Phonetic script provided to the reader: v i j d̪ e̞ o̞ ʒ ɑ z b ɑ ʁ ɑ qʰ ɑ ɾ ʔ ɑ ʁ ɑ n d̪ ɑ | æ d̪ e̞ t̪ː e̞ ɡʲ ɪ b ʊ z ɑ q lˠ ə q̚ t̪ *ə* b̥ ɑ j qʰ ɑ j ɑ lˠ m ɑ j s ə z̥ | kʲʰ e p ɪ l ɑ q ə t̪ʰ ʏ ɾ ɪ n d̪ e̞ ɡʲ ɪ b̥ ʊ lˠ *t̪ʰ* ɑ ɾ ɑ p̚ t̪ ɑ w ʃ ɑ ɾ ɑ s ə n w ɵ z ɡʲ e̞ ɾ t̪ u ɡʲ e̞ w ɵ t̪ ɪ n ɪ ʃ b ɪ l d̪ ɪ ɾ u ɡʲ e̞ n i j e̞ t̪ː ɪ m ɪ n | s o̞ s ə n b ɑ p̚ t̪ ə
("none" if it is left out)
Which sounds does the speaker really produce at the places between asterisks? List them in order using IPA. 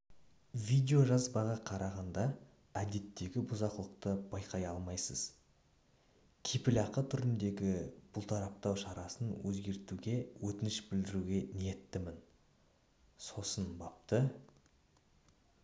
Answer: ə, t̪ʰ

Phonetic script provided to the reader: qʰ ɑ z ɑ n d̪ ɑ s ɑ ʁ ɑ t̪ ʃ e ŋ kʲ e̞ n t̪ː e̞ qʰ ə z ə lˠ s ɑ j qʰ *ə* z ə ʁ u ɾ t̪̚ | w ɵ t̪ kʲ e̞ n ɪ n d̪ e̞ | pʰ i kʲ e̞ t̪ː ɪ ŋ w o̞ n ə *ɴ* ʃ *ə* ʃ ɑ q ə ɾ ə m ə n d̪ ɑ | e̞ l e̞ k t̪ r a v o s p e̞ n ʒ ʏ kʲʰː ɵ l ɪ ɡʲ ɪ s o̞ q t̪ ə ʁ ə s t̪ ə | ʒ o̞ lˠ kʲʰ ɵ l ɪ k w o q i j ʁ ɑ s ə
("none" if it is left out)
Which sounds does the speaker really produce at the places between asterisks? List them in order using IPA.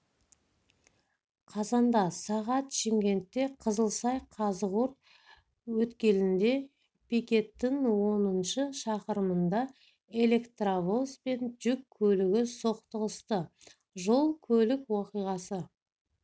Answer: ɑ, n, ə

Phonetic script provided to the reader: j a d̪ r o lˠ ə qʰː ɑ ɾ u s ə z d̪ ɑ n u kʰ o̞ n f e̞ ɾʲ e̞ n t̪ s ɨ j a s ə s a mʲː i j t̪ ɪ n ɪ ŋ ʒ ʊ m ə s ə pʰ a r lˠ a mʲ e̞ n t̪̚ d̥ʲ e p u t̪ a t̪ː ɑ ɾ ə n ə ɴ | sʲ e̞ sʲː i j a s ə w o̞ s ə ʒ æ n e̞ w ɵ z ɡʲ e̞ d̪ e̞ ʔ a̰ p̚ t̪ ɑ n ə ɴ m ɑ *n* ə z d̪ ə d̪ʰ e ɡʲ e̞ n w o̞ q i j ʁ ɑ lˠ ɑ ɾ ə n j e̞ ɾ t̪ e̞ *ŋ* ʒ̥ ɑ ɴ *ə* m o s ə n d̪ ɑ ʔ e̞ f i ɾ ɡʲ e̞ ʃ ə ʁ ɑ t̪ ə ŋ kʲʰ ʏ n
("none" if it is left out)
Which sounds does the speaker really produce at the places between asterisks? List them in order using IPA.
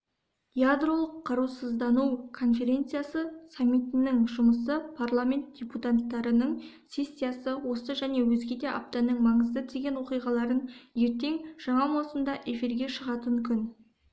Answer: ɴ, ŋ, ɑ

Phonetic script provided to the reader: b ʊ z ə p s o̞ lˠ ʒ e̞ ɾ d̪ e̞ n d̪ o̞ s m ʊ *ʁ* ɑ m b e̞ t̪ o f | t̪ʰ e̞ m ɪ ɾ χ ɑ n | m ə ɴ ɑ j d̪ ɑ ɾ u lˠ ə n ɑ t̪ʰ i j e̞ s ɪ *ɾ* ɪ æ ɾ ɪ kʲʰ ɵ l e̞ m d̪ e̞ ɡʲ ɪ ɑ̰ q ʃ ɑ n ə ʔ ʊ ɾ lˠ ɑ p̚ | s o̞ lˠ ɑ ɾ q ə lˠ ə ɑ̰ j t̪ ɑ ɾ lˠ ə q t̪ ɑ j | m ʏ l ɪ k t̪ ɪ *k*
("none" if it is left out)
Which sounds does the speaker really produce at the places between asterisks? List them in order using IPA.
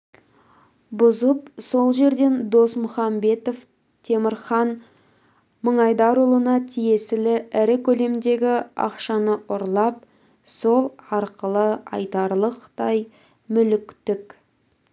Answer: χ, l, k

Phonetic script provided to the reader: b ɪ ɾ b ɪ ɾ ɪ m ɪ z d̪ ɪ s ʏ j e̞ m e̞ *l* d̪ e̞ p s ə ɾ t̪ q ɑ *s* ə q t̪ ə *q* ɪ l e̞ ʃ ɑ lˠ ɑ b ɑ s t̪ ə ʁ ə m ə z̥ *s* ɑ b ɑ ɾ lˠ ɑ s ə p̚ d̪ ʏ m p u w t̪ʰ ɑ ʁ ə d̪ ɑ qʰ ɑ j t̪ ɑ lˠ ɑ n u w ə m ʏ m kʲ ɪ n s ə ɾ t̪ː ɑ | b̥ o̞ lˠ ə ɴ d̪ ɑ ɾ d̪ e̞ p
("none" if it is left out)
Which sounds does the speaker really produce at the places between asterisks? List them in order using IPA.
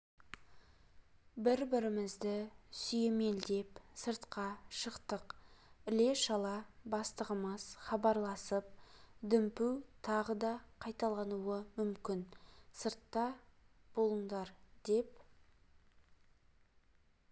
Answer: l, ʃ, q, χ

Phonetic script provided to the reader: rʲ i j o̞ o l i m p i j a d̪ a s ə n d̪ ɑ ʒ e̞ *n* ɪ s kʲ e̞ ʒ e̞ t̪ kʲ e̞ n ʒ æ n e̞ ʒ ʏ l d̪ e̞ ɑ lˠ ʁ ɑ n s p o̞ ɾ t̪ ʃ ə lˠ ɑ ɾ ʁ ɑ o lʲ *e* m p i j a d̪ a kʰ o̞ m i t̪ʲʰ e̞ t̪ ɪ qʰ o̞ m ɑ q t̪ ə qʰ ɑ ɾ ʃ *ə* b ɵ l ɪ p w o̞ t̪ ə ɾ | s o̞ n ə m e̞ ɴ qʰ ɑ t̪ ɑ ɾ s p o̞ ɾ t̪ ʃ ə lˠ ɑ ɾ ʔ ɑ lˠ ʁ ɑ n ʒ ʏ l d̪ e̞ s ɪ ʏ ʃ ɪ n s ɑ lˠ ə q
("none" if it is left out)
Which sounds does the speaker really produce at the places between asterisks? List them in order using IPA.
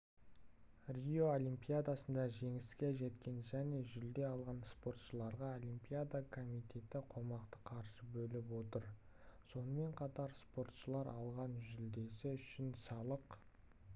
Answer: ŋ, i, ə

